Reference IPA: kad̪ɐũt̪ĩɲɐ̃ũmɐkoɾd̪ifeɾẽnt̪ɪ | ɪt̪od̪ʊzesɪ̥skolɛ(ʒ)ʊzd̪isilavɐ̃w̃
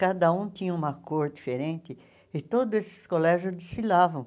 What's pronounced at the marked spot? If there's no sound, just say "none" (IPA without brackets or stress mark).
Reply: ʒ